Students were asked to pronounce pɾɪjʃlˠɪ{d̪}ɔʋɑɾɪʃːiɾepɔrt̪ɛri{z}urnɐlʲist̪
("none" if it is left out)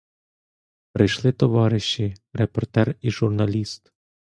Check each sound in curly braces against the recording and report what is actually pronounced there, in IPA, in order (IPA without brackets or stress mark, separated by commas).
t̪, ʒ